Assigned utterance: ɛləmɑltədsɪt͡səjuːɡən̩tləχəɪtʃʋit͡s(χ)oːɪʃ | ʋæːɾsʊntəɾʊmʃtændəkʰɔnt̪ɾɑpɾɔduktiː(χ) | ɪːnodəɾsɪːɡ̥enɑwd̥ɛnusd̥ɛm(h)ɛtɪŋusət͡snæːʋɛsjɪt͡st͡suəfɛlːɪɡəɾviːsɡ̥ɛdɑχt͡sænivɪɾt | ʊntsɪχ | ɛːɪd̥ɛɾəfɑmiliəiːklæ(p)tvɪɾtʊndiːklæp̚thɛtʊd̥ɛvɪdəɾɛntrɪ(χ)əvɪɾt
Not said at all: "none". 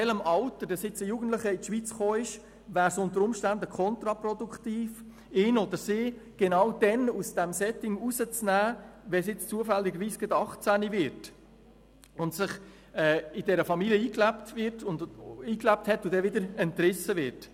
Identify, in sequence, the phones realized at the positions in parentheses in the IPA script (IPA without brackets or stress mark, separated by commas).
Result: χ, f, s, p, s